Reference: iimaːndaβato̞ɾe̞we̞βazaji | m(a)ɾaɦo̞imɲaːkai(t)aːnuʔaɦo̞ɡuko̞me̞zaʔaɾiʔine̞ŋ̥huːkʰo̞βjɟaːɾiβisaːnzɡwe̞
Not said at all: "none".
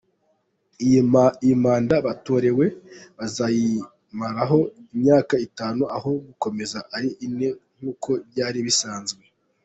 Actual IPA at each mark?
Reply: a, t

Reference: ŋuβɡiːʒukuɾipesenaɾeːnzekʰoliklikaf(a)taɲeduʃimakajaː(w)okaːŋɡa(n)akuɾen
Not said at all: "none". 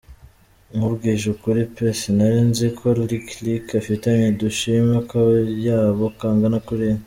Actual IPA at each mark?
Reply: i, β, n

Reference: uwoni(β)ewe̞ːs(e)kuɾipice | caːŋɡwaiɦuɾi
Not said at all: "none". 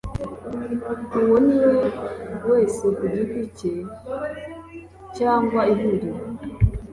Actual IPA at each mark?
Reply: w, e

